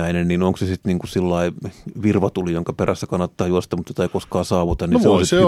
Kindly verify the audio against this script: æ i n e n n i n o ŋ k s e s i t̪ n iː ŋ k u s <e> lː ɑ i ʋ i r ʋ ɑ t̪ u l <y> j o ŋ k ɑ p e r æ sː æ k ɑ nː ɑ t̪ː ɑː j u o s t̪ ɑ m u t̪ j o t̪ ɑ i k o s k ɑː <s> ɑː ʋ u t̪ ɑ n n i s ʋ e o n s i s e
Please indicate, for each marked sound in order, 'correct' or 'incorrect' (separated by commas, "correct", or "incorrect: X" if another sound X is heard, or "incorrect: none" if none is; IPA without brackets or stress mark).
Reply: incorrect: i, incorrect: i, correct